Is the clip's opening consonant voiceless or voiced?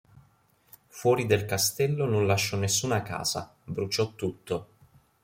voiceless